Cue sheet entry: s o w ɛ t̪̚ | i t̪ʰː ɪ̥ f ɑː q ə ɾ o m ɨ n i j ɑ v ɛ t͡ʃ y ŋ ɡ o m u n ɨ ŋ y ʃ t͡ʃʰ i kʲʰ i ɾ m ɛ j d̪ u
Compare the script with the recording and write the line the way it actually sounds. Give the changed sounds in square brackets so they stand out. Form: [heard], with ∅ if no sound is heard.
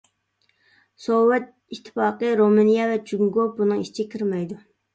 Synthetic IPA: s o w ɛ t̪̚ | i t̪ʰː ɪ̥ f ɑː q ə ɾ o m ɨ n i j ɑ v ɛ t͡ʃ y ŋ ɡ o [b] u n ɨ ŋ [i] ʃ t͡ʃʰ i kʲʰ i ɾ m ɛ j d̪ u